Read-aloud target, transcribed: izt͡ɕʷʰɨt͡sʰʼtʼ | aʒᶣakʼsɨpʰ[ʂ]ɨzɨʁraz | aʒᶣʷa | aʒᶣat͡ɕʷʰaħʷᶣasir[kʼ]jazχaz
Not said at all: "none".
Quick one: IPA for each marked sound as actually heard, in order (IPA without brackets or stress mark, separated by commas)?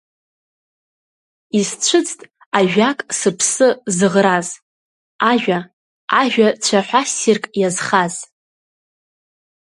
s, kʼ